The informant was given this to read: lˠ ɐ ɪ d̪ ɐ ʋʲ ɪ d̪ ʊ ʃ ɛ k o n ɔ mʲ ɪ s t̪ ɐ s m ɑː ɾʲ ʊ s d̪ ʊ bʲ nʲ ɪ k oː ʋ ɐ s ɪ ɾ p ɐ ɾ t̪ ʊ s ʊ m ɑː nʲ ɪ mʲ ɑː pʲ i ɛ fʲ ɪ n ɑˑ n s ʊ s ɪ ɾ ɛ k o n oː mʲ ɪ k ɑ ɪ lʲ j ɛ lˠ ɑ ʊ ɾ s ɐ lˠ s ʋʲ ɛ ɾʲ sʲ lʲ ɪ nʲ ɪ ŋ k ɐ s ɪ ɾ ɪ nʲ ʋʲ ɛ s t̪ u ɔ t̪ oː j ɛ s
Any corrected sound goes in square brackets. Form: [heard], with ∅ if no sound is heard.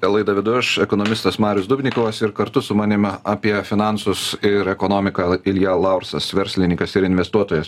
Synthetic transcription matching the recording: lˠ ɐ ɪ d̪ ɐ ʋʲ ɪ d̪ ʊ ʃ ɛ k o n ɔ mʲ ɪ s t̪ ɐ s m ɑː ɾʲ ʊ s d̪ ʊ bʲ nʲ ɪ k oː ʋ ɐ s ɪ ɾ [k] ɐ ɾ t̪ ʊ s ʊ m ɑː nʲ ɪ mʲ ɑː pʲ i ɛ fʲ ɪ n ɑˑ n s ʊ s ɪ ɾ ɛ k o n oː mʲ ɪ k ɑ ɪ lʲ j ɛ lˠ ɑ ʊ ɾ s ɐ [∅] s ʋʲ ɛ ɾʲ sʲ lʲ ɪ nʲ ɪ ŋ k ɐ s ɪ ɾ ɪ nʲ ʋʲ ɛ s t̪ u ɔ t̪ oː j ɛ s